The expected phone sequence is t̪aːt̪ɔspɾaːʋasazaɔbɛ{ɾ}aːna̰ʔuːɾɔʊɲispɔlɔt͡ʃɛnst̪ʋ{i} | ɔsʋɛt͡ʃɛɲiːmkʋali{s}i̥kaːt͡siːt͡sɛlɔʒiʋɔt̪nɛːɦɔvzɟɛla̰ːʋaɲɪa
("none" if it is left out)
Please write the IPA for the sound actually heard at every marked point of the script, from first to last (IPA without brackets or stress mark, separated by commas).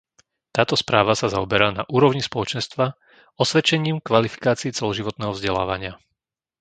ɾ, a, f